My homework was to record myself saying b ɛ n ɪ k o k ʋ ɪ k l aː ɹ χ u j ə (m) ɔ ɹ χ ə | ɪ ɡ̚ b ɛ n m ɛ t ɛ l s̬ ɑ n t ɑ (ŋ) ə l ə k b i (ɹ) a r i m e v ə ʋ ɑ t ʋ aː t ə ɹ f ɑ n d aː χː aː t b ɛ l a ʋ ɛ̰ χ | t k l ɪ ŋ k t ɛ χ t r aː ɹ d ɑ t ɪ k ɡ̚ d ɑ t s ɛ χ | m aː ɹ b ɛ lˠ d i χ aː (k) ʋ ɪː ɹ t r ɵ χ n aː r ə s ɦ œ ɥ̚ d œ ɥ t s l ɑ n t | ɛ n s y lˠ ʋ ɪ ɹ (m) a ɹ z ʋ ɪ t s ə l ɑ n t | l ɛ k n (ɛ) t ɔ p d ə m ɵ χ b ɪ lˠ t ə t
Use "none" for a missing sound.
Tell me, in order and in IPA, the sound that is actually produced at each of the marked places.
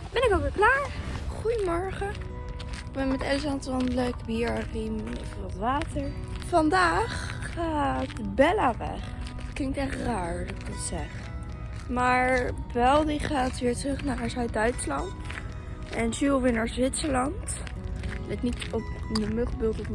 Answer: m, n, ɹ, t, n, i

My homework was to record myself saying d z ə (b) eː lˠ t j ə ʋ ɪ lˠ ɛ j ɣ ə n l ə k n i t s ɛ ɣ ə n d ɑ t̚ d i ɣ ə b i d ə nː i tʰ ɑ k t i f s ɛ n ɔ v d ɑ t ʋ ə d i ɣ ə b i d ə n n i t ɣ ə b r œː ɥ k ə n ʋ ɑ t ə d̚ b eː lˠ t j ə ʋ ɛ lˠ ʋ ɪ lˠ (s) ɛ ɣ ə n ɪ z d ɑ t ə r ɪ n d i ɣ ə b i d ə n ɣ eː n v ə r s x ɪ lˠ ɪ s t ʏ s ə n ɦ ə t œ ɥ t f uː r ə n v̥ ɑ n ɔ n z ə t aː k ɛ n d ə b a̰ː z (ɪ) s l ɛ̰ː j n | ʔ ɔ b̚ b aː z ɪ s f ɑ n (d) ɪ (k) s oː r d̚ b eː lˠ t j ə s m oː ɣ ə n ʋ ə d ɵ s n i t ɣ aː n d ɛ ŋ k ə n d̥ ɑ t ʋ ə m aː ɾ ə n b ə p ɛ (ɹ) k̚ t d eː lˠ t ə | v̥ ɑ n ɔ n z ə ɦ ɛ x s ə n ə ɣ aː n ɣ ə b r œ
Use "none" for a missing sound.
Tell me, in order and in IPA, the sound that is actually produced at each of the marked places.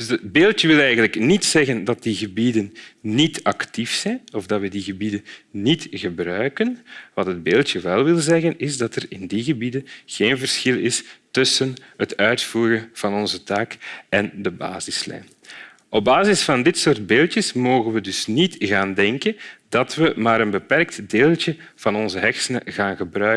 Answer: b, z, ɪ, d, t, r

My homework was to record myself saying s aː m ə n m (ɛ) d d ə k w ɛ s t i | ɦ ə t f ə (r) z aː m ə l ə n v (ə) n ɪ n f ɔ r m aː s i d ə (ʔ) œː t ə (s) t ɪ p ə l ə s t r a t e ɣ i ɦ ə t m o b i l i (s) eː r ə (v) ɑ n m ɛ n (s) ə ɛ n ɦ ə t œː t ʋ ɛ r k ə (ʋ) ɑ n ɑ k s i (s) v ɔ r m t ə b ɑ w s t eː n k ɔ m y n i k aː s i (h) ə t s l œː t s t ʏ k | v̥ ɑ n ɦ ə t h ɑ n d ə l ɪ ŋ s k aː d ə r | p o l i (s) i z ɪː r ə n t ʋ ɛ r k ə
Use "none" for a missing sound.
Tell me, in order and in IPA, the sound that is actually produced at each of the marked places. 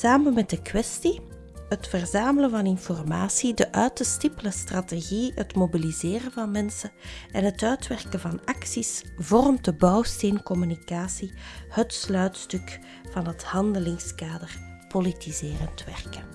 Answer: ɛ, r, ɑ, ʔ, s, z, v, s, v, s, h, t

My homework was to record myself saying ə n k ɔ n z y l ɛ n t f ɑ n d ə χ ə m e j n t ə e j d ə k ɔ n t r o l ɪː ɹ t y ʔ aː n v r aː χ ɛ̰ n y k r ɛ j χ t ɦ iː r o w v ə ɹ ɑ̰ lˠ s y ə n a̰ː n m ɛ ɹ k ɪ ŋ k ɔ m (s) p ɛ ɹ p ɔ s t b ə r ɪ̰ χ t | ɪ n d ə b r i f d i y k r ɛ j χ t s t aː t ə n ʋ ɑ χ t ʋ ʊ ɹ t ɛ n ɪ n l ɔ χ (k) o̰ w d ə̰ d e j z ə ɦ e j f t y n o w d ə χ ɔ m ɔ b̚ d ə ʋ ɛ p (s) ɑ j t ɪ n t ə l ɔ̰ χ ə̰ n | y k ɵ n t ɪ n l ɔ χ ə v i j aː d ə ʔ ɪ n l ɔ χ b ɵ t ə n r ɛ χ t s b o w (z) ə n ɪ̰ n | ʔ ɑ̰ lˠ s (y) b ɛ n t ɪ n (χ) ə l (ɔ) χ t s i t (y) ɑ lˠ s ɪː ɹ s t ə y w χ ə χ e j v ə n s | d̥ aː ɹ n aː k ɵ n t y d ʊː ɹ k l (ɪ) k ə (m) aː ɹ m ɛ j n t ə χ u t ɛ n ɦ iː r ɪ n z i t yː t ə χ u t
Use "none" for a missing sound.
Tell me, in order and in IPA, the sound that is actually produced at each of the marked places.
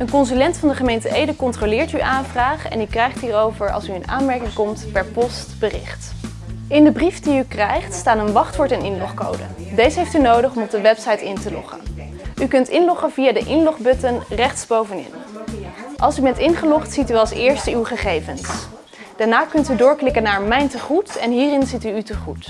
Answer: t, k, s, v, y, χ, ɔ, y, ɪ, n

